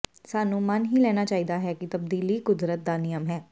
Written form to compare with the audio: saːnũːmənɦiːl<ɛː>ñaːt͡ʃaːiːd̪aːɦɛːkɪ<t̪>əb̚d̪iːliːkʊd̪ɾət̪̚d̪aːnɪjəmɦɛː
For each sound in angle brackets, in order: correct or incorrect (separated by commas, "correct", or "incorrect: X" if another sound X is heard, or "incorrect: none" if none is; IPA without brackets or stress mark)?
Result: correct, correct